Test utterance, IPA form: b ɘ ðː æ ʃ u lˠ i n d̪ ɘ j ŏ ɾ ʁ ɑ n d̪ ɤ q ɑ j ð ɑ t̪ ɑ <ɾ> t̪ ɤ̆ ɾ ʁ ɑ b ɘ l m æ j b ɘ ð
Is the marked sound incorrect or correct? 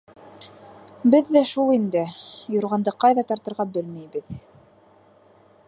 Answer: correct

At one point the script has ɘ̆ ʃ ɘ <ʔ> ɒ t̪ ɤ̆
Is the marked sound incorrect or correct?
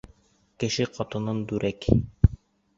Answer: incorrect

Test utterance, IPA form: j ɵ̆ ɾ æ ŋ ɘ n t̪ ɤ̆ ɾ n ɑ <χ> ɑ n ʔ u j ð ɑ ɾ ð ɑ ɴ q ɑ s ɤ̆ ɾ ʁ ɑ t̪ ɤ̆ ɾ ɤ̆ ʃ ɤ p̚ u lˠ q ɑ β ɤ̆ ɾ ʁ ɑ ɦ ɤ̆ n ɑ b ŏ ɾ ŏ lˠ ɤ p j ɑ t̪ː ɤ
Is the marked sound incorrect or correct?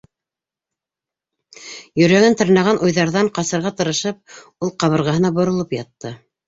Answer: incorrect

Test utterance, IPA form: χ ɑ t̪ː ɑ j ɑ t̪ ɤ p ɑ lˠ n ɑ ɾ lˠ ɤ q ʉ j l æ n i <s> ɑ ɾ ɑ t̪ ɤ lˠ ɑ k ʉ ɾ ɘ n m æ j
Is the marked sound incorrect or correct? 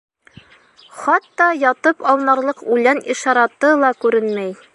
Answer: incorrect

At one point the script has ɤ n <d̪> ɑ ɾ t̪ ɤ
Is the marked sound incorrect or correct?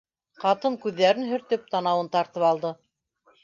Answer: incorrect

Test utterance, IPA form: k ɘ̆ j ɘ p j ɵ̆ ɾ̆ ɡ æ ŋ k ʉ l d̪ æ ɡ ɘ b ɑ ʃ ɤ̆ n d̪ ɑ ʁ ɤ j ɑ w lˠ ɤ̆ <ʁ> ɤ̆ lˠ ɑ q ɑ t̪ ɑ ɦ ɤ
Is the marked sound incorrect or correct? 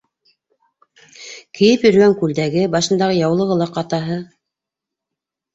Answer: correct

